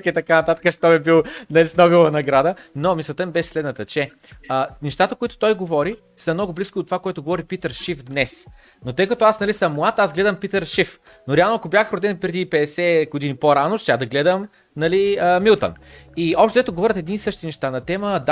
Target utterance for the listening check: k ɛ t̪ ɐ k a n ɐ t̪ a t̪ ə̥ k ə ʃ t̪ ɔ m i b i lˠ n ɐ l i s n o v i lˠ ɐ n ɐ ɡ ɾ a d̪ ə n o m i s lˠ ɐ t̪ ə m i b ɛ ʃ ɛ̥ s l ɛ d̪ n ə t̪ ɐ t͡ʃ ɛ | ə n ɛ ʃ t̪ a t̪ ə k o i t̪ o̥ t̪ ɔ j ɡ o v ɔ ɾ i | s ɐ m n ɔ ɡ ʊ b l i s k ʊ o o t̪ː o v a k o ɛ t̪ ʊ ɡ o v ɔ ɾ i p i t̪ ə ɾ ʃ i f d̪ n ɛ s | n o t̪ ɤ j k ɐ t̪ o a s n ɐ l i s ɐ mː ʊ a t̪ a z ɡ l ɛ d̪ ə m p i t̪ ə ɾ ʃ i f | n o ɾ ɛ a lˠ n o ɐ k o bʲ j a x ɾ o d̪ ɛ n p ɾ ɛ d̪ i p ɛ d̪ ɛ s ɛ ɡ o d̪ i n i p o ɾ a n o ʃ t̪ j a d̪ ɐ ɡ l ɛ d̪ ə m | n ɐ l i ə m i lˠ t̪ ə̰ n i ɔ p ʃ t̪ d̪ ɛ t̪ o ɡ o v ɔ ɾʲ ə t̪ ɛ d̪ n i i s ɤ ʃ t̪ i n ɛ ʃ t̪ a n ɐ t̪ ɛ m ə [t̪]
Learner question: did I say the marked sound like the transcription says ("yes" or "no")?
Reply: no